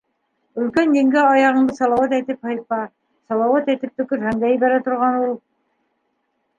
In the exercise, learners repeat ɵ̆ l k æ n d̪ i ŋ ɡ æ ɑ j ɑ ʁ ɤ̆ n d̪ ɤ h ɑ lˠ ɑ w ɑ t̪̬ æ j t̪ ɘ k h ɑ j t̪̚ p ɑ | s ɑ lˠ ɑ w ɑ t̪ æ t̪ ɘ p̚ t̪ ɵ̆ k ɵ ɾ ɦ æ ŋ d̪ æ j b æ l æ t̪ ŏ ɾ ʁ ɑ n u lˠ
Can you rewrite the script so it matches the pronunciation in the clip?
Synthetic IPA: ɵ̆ l k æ n d̪ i ŋ ɡ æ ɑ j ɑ ʁ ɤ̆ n d̪ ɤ s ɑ lˠ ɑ w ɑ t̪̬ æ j t̪ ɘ p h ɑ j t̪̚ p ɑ | s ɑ lˠ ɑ w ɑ t̪ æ t̪ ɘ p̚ t̪ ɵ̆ k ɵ ɾ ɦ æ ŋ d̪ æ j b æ ɾ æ t̪ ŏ ɾ ʁ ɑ n u lˠ